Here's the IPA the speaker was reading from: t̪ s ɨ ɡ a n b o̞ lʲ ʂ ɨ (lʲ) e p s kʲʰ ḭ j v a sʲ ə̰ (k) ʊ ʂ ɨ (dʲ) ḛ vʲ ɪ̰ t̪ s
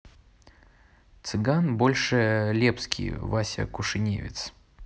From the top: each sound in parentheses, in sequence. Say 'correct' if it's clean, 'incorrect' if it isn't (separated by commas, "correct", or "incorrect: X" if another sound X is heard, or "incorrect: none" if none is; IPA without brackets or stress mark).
correct, correct, incorrect: nʲ